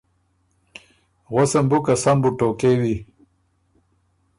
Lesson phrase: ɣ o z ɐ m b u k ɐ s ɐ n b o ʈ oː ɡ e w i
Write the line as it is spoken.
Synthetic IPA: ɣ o s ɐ m b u k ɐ s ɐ m b u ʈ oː k e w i